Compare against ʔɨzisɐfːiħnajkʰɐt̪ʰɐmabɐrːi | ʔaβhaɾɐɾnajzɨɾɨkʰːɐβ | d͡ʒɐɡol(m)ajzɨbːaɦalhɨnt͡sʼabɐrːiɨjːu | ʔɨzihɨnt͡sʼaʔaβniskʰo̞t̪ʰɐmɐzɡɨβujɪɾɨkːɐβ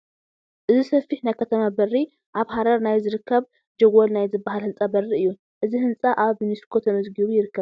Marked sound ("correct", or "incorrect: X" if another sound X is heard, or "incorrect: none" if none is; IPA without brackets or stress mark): incorrect: n